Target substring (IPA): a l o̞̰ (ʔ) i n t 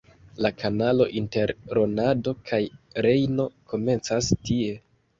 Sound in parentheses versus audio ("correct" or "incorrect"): correct